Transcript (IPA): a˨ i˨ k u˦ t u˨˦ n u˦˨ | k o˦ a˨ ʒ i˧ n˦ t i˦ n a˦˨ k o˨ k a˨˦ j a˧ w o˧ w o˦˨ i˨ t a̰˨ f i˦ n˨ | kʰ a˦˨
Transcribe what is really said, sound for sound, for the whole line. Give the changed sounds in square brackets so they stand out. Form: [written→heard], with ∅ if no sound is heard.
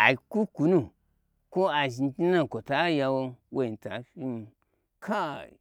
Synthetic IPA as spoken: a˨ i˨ k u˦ [t→k] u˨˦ n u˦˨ | k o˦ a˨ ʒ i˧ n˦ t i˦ n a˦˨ k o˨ [k→t] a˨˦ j a˧ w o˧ w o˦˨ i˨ t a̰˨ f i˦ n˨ | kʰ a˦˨